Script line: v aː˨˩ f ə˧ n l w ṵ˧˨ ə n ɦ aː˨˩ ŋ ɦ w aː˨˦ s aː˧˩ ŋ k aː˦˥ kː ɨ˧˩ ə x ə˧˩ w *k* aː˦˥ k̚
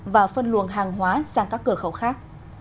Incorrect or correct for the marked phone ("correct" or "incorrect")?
incorrect